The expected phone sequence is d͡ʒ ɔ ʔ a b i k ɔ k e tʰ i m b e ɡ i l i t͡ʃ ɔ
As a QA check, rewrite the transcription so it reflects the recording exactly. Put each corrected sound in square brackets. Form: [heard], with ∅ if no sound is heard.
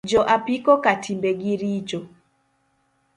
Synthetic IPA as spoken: d͡ʒ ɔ ʔ a [p] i k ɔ k [a] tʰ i m b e ɡ i [ɾ] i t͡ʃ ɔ

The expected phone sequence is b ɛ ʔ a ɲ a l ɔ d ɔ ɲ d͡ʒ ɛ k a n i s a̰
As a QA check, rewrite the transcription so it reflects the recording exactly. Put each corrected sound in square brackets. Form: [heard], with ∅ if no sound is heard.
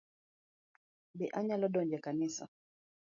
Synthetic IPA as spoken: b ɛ ʔ a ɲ a l ɔ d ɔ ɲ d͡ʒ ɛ k a n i s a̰

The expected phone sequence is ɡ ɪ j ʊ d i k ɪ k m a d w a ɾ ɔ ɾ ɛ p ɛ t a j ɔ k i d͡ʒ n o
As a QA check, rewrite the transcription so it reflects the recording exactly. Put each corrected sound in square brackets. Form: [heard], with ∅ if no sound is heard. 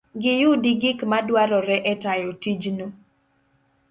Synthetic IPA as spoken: ɡ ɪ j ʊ d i [ɡ] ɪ k m a d w a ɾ ɔ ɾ ɛ [ʔ] ɛ t a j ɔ [t] i d͡ʒ n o

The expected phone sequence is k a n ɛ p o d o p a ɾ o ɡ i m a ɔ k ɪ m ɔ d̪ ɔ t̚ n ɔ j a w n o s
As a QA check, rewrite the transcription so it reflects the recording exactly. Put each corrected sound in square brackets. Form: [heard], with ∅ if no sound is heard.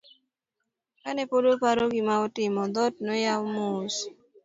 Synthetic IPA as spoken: k a n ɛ p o d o p a ɾ o ɡ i m a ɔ [t] ɪ m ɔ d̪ ɔ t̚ n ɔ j a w [m] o s

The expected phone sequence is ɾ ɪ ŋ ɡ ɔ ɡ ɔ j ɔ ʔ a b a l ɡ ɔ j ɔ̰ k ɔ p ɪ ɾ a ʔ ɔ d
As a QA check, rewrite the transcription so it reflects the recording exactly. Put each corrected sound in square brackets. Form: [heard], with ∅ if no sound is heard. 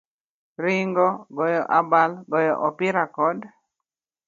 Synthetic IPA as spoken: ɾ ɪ ŋ ɡ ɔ ɡ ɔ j ɔ ʔ a b a l ɡ ɔ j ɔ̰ [ʔ] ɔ p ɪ ɾ a [k] ɔ d

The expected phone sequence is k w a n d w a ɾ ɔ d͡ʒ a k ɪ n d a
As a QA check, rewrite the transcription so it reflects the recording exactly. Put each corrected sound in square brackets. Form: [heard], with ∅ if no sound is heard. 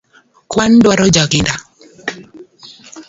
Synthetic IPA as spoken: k w a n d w a ɾ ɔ d͡ʒ a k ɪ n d a

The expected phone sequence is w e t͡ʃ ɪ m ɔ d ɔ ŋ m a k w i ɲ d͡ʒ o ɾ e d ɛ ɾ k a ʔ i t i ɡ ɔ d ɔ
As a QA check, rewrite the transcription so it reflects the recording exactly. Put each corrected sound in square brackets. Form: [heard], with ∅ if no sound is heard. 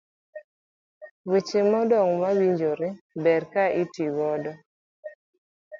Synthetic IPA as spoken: w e t͡ʃ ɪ m ɔ d ɔ ŋ m a [∅] w i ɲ d͡ʒ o ɾ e [b] ɛ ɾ k a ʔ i t i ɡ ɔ d ɔ

